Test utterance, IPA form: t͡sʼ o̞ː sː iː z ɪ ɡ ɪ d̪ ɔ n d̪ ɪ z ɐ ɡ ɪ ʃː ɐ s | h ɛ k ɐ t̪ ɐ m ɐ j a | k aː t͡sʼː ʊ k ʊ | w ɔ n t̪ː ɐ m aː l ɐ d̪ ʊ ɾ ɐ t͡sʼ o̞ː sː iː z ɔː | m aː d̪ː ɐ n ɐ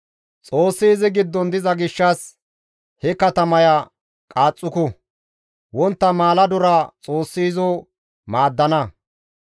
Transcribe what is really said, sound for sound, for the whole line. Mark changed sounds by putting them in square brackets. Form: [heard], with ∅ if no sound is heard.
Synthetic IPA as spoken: t͡sʼ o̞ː sː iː z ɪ ɡ ɪ [d̪ː] ɔ n d̪ ɪ z ɐ ɡ ɪ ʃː ɐ s | h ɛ k ɐ t̪ ɐ m ɐ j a | [kʼ] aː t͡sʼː ʊ k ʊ | w ɔ n t̪ː ɐ m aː l ɐ d̪ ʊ ɾ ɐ t͡sʼ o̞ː sː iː z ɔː | m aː d̪ː ɐ n ɐ